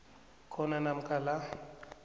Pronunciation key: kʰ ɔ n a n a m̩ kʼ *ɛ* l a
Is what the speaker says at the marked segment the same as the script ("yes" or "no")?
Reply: no